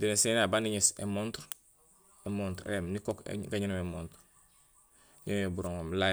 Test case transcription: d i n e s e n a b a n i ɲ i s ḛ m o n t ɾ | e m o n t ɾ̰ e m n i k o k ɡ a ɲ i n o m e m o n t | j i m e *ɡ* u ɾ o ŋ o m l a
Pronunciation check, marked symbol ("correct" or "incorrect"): incorrect